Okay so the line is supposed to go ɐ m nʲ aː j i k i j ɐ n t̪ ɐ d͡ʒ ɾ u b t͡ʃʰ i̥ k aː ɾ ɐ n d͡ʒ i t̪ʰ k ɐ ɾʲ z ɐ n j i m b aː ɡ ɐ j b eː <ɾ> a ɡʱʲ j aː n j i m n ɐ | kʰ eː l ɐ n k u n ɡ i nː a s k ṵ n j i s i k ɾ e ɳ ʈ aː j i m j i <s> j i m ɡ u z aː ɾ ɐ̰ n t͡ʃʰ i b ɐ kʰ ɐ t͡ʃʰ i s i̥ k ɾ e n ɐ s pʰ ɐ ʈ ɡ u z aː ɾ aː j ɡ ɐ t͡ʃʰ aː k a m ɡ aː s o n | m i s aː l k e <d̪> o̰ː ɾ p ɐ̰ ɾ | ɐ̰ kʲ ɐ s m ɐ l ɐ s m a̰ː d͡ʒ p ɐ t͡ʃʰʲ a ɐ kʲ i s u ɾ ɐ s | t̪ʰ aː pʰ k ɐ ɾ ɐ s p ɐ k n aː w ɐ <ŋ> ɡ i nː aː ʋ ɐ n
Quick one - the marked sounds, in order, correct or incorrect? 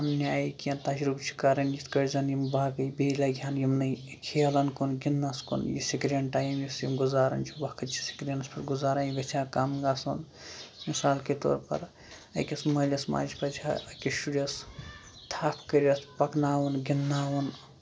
incorrect, correct, incorrect, incorrect

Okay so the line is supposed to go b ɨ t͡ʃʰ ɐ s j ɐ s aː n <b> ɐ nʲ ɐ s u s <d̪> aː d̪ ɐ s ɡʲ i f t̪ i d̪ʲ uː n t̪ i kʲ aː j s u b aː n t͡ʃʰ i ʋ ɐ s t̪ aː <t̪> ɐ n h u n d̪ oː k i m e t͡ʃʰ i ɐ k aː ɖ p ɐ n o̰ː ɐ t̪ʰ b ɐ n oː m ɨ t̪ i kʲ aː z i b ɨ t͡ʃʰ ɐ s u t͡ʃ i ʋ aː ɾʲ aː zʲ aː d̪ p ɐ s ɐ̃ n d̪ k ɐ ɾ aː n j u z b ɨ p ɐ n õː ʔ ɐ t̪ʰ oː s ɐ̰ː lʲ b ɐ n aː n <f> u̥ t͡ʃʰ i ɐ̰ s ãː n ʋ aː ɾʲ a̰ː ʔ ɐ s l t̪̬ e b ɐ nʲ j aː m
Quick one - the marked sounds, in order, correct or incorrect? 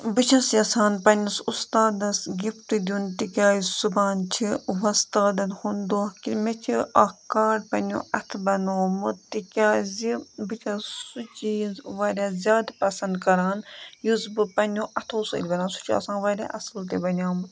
incorrect, incorrect, incorrect, incorrect

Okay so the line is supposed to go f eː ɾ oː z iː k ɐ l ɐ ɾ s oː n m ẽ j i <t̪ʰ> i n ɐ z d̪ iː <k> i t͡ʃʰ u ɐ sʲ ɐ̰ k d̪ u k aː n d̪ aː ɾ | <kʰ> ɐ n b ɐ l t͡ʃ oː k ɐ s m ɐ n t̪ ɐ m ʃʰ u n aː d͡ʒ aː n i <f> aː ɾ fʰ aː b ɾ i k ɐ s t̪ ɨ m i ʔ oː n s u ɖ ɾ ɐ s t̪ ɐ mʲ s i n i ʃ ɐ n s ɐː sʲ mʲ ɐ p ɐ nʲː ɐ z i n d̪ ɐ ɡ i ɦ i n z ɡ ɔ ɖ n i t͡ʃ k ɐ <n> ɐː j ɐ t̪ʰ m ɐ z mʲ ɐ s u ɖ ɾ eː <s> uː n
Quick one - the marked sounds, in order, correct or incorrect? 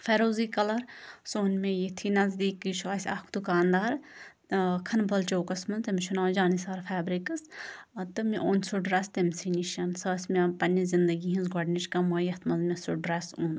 correct, correct, correct, incorrect, incorrect, correct

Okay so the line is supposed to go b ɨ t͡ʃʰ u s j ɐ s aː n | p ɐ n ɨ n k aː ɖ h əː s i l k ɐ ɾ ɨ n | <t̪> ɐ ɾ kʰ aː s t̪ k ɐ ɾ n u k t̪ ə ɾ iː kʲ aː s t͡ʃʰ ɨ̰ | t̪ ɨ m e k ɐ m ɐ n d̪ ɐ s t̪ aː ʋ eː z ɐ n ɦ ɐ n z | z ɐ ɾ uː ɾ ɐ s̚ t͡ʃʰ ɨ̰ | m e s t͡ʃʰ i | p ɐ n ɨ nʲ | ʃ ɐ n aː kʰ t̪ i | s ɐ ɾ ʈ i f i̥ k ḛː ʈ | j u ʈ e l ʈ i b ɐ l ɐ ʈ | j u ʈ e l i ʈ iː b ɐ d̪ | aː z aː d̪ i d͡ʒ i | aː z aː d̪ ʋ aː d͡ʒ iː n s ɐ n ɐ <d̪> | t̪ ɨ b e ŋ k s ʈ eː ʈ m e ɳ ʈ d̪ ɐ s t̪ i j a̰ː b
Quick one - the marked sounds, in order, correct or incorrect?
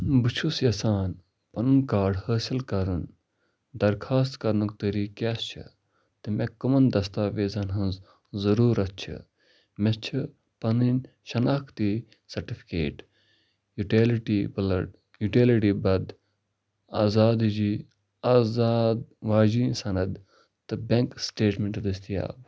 incorrect, correct

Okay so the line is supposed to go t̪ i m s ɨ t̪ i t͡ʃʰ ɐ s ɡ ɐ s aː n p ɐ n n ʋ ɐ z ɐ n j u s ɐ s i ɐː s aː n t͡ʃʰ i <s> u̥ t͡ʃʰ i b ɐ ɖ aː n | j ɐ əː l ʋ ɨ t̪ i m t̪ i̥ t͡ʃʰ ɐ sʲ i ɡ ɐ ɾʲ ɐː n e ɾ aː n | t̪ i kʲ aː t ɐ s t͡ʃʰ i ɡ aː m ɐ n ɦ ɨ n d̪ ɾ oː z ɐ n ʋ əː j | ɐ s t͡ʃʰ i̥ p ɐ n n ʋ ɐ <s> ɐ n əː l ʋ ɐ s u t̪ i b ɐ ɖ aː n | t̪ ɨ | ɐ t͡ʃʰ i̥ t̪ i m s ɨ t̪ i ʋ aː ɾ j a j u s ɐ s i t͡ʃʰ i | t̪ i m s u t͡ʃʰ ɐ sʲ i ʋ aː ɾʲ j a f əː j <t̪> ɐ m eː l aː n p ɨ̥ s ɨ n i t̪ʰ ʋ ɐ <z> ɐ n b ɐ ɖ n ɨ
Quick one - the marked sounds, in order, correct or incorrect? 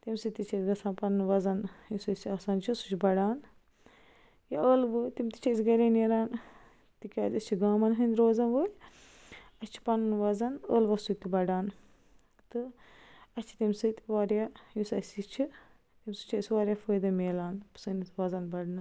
correct, incorrect, incorrect, correct

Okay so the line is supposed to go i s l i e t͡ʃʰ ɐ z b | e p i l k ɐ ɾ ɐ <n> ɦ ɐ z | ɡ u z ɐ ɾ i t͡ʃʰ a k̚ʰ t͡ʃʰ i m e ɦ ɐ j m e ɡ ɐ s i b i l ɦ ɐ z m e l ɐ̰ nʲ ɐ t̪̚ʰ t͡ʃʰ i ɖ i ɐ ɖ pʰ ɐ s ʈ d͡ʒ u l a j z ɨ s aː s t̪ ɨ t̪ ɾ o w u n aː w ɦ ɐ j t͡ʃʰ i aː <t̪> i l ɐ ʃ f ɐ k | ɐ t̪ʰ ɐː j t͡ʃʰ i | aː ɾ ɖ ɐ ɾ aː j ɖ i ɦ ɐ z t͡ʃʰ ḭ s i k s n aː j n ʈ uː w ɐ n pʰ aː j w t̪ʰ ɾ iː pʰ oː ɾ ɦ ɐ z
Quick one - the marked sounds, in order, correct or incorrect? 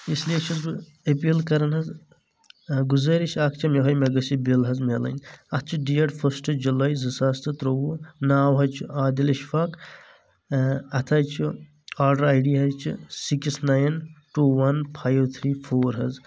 correct, incorrect

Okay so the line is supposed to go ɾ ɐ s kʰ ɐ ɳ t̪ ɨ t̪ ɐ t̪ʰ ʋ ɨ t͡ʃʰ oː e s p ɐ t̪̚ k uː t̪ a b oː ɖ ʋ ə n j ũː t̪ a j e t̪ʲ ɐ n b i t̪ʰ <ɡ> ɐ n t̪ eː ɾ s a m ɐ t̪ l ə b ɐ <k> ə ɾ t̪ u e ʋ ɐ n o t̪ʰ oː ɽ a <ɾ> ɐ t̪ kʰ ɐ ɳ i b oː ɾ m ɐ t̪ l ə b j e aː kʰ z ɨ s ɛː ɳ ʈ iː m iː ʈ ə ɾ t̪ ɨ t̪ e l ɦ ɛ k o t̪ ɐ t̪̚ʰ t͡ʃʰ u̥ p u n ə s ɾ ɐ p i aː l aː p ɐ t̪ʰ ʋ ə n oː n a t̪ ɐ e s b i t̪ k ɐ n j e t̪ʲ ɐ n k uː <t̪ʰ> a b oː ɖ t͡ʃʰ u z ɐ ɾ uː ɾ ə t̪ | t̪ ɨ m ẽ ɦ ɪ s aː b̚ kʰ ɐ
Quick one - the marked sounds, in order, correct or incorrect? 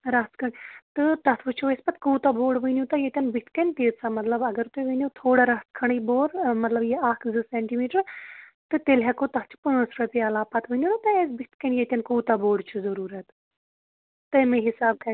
incorrect, incorrect, correct, incorrect

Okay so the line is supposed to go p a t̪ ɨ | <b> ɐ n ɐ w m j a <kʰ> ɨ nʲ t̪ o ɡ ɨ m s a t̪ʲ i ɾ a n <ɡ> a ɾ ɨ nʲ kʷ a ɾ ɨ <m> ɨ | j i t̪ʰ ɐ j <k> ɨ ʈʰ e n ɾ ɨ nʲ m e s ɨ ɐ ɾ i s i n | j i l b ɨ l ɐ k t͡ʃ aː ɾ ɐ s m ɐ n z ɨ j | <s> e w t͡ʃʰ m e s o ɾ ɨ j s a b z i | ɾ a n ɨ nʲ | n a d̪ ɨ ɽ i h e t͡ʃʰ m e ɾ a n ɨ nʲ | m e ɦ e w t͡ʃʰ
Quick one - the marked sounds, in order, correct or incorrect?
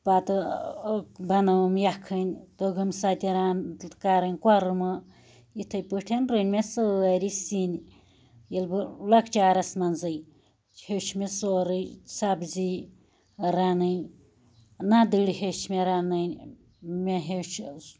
correct, correct, incorrect, correct, incorrect, incorrect

